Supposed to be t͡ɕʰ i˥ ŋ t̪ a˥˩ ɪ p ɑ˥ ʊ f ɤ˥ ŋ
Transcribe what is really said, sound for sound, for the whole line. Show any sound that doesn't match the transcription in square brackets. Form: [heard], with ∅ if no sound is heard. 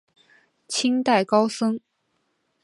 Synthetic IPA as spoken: t͡ɕʰ i˥ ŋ t̪ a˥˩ ɪ [k] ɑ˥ ʊ [s] ɤ˥ ŋ